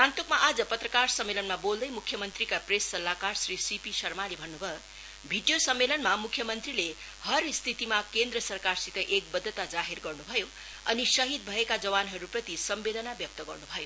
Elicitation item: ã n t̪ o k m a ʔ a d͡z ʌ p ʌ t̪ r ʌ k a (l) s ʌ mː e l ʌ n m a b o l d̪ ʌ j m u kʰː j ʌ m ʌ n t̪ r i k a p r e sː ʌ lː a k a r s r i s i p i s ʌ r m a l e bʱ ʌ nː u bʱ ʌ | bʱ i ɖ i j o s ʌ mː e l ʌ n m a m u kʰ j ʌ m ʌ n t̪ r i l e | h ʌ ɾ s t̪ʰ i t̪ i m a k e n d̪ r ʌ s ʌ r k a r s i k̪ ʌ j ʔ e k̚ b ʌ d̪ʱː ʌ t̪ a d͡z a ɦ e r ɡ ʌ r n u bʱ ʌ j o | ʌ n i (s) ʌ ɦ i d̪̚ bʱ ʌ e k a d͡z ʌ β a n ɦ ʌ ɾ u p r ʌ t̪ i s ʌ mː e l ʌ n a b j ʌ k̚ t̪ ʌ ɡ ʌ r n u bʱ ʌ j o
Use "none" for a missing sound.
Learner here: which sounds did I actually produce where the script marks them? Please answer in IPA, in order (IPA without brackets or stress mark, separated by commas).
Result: r, s